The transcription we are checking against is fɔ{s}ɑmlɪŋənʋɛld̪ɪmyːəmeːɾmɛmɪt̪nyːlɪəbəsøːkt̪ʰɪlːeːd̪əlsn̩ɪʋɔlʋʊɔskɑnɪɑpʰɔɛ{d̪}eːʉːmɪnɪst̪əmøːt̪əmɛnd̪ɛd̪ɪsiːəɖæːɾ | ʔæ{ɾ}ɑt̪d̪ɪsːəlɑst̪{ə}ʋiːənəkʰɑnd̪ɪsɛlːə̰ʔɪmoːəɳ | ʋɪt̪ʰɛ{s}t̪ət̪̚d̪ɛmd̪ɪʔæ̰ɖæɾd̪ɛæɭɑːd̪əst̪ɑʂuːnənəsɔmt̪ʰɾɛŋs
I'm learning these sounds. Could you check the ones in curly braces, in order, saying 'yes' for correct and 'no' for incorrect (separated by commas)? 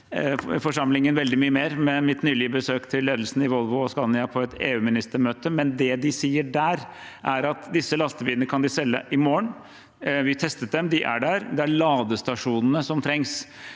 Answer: no, no, yes, yes, yes